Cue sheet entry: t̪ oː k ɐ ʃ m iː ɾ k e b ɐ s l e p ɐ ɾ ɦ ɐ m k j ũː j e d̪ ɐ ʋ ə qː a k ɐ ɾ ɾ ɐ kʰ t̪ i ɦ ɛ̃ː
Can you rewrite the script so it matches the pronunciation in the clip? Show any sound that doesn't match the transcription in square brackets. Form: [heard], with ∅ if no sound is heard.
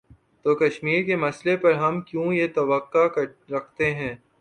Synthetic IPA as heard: t̪ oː k ɐ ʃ m iː ɾ k e [m] ɐ s l e p ɐ ɾ ɦ ɐ m k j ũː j e [t̪] ɐ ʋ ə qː a k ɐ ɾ ɾ ɐ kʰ t̪ [e] ɦ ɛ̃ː